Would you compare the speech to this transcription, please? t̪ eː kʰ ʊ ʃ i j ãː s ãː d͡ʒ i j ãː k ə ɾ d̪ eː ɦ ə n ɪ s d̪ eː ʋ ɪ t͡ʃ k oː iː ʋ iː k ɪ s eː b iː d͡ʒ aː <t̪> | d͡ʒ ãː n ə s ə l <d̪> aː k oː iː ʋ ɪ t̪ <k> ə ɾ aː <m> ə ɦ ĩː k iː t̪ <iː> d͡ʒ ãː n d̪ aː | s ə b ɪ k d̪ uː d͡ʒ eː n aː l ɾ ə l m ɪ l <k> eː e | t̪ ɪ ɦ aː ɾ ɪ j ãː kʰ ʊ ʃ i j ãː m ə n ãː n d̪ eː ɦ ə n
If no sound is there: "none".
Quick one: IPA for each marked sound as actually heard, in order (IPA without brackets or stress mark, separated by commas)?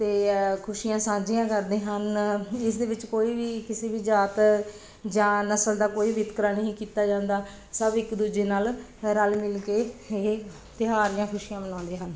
t̪, d̪, k, n, aː, k